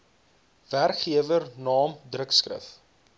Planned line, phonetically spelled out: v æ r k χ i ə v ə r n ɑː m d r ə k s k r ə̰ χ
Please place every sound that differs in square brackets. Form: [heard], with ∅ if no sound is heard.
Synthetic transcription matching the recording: v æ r k χ i ə v ə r n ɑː m d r ə k s k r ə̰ [f]